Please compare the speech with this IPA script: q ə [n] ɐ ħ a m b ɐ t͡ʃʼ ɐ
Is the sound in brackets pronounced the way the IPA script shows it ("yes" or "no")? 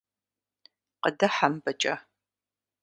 no